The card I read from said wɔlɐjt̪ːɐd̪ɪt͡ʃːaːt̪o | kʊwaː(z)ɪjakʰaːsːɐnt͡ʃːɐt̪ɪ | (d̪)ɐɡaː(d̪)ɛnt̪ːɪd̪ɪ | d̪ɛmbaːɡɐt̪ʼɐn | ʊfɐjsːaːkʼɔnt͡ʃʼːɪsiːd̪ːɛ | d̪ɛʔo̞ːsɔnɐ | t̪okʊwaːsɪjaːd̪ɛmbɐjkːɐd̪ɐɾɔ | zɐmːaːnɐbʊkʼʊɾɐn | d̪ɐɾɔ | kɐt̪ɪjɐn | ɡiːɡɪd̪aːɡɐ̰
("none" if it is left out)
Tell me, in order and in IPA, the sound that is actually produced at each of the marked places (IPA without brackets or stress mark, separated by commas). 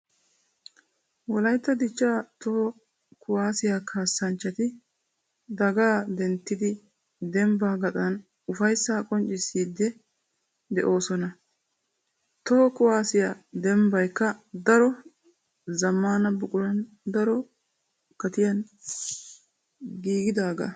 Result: s, d̪, d̪